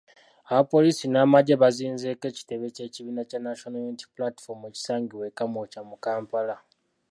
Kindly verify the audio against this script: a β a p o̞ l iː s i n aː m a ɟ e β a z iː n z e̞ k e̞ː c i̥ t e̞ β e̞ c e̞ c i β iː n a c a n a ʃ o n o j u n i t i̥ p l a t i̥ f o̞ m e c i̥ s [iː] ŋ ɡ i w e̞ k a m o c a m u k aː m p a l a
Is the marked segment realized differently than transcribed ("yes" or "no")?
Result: yes